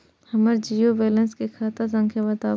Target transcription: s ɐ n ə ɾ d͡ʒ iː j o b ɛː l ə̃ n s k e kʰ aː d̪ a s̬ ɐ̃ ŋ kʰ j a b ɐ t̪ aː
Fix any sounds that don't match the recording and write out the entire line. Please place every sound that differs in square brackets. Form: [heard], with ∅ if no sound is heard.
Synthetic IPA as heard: [h] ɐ [m] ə ɾ d͡ʒ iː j o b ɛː l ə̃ n s k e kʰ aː [t̪] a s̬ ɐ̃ ŋ kʰ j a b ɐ t̪ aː